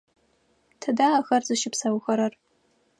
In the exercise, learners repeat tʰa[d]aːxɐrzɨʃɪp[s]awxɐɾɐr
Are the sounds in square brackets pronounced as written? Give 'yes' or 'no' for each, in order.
yes, yes

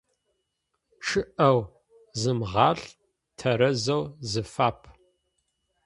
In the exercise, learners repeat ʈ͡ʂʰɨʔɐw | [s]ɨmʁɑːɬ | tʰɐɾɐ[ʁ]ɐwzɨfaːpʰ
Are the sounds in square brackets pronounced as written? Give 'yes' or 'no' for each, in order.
no, no

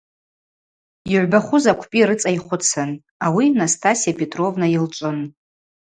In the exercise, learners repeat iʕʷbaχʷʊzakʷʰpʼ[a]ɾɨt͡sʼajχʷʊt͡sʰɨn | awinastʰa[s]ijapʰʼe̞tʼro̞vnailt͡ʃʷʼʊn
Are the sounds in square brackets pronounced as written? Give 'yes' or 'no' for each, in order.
no, yes

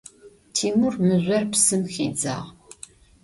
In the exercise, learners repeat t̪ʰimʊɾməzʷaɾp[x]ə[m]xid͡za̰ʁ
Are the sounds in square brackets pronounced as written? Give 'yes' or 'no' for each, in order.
no, yes

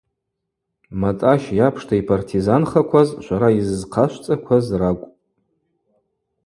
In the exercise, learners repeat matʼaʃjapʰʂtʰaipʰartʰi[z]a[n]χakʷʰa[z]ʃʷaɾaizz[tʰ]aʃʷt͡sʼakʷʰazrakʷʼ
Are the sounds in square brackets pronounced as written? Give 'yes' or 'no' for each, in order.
yes, yes, yes, no

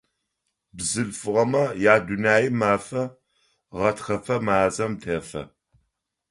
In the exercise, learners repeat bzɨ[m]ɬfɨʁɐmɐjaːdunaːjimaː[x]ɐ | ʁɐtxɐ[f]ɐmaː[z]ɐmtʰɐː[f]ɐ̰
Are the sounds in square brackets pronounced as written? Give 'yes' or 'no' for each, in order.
no, no, yes, yes, yes

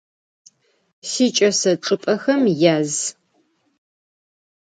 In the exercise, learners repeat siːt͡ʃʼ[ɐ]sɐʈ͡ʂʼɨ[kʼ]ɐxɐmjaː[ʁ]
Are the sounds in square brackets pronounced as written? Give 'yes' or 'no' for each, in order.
yes, no, no

